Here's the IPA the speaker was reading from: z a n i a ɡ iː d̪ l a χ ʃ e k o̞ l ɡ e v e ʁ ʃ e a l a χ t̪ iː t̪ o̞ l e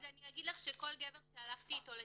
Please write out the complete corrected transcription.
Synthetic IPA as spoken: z a n i a ɡ i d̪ l a χ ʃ e k o̞ l ɡ e v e ʁ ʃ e a l a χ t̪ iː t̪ o̞ l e

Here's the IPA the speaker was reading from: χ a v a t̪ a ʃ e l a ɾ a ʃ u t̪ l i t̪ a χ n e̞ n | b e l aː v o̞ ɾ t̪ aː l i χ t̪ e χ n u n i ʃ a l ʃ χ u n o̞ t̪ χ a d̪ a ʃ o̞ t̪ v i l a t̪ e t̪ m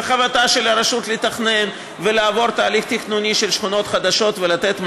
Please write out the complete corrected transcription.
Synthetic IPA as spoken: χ a v a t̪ a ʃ e l a ɾ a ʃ u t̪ l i t̪ a χ n e̞ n | v e l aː v o̞ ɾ t̪ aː l i χ t̪ i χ n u n i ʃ e l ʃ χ u n o̞ t̪ χ a d̪ a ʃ o̞ t̪ v e l a t̪ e t̪ m

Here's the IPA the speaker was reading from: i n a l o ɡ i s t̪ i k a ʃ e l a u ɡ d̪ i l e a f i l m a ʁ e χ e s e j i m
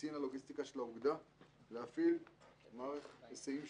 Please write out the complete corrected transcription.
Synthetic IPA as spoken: i n a l o ɡ i s t̪ i k a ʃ e l a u ɡ d̪ a l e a f i l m a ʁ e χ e s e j i m

